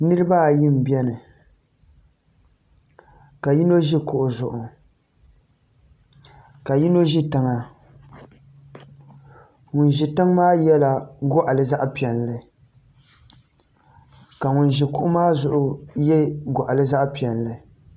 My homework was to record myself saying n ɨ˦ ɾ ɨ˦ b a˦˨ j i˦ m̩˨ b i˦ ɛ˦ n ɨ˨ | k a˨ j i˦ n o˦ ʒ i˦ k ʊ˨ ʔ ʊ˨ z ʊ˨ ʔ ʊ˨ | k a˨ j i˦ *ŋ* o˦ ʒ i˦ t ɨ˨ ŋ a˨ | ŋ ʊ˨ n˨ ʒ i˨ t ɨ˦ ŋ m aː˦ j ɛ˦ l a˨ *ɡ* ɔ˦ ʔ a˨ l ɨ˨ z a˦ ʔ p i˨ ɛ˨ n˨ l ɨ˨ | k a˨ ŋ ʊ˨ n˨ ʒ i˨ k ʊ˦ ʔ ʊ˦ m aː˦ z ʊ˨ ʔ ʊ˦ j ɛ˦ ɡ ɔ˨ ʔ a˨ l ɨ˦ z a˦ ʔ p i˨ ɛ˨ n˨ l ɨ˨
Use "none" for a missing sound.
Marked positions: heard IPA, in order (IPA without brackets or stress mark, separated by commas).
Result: n, ɡ